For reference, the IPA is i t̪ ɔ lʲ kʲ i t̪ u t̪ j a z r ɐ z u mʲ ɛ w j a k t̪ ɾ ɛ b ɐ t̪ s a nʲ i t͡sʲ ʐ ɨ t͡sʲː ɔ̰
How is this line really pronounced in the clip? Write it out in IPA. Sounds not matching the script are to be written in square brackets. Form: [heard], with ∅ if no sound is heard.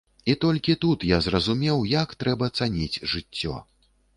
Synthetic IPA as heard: i t̪ ɔ lʲ kʲ i t̪ u t̪ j a z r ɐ z u mʲ ɛ w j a k t̪ ɾ ɛ b ɐ t̪ s a nʲ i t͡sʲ ʐ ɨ t͡sʲː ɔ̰